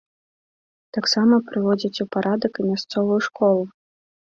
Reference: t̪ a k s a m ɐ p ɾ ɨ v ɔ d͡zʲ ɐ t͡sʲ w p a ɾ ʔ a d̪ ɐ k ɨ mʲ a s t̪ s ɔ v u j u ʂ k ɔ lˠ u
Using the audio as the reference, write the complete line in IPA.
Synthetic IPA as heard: t̪ a k s a m ɐ p ɾ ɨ v ɔ d͡zʲ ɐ t͡sʲ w p a ɾ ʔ a d̪ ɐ k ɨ mʲ a s t̪ s ɔ v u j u ʂ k ɔ lˠ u